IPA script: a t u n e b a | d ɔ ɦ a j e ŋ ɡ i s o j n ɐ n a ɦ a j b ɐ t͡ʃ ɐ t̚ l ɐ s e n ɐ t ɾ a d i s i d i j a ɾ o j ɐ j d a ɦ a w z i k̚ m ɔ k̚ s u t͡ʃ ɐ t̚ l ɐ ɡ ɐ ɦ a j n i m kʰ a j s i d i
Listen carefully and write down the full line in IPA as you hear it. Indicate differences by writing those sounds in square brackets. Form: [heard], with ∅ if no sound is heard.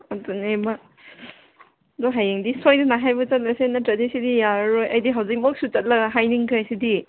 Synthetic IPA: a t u n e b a | d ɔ ɦ a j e ŋ [d] i s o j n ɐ n a ɦ a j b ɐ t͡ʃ ɐ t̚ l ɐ s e n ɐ t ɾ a d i s i d i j a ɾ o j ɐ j d [i] ɦ a w z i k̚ m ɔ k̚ s u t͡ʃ ɐ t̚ l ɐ ɡ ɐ ɦ a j n i [ŋ] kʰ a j s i d i